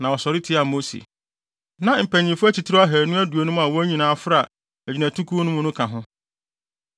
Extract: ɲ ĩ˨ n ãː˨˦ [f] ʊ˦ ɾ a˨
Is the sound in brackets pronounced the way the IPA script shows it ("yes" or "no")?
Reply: yes